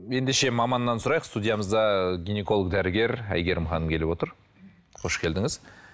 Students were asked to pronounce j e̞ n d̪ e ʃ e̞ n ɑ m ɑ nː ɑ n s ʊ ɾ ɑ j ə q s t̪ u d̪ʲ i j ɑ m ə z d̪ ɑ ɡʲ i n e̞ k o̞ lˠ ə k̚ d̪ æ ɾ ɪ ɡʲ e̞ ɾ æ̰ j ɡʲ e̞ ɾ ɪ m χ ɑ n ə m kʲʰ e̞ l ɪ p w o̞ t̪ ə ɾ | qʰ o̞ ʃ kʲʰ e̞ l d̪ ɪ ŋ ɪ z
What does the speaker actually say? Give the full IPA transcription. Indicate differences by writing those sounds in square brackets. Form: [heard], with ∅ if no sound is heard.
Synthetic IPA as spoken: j e̞ n d̪ e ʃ e̞ [m] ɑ m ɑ nː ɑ n s ʊ ɾ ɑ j ə q s t̪ u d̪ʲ i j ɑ m ə z d̪ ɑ ɡʲ i n e̞ k o̞ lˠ ə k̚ d̪ æ ɾ ɪ ɡʲ e̞ ɾ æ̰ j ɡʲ e̞ ɾ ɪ m χ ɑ n ə m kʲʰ e̞ l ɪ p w o̞ t̪ ə ɾ | qʰ o̞ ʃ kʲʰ e̞ l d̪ ɪ ŋ ɪ z